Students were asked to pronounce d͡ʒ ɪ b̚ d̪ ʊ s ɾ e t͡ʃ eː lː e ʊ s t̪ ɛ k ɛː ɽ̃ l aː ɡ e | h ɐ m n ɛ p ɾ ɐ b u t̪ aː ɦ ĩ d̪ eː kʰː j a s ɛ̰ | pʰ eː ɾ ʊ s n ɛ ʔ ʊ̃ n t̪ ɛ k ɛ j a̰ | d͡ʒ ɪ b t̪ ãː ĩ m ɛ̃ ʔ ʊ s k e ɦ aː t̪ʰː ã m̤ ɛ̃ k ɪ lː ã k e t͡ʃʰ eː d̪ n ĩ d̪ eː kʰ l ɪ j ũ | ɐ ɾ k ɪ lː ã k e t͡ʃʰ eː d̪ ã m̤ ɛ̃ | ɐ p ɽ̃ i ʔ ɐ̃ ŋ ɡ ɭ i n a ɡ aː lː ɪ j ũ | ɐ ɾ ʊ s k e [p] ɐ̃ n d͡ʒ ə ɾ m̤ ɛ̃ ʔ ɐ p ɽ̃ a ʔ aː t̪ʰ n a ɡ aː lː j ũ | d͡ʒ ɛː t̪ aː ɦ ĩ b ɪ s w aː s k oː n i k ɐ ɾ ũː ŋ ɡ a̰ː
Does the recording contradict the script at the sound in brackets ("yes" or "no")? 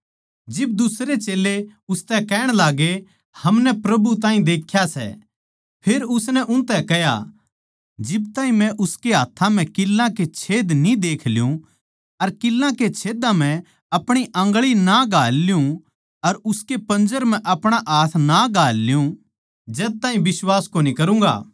no